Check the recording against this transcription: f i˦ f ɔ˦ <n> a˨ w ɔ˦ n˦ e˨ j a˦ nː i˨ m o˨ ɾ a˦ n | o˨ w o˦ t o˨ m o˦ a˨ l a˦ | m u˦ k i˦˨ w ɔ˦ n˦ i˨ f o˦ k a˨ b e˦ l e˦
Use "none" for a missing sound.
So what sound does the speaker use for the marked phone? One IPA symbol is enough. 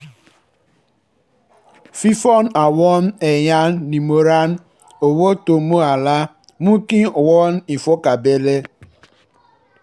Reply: n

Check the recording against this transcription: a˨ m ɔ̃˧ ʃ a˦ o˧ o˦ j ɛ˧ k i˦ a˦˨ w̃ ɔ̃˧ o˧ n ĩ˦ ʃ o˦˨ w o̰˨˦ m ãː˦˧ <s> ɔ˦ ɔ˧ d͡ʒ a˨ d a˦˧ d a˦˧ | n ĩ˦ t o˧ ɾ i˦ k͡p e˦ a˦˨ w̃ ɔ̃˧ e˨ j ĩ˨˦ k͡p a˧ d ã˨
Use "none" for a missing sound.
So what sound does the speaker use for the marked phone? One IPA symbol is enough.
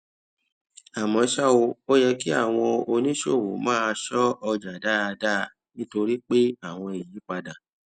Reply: ʃ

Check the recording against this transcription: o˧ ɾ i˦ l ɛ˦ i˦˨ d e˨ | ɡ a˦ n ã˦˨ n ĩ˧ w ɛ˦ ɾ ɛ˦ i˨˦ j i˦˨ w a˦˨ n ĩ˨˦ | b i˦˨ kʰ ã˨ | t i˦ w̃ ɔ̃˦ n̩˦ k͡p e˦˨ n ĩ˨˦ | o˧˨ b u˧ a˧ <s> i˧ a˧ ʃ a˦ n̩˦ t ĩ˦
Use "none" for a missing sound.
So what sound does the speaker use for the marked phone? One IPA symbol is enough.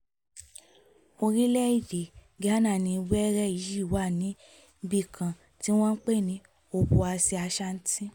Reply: s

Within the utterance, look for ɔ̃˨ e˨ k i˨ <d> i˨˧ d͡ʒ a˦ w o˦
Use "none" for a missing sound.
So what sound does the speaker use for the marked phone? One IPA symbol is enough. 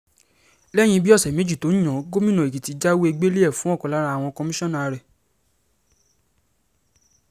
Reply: t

